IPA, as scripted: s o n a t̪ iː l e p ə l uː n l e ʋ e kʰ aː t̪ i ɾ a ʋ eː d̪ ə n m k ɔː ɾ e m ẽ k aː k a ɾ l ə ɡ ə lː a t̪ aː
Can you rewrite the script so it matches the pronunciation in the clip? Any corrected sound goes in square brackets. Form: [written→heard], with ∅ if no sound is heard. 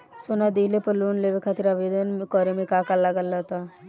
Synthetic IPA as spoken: s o n a [t̪→d̪] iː l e p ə l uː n l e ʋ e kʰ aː t̪ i ɾ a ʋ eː d̪ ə n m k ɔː ɾ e m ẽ k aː k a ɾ l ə ɡ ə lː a t̪ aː